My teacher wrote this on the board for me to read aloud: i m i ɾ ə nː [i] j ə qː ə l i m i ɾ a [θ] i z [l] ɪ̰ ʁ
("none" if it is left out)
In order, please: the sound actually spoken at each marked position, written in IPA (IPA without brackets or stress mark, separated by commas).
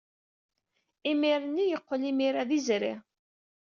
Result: i, ð, ɾ